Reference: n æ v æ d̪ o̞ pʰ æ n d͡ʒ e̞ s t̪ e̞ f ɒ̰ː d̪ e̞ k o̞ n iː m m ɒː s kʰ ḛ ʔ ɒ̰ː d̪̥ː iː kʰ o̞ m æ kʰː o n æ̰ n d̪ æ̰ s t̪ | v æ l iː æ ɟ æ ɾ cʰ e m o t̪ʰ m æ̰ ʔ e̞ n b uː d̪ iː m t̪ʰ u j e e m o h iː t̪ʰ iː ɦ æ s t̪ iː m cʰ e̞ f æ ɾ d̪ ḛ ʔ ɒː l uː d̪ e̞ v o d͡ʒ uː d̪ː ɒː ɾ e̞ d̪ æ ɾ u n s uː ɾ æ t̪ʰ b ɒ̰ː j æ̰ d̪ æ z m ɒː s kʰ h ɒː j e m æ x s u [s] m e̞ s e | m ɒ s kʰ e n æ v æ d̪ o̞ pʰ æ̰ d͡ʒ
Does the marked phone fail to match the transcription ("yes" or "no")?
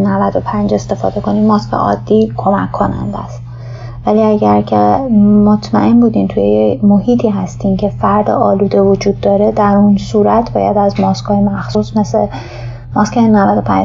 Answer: no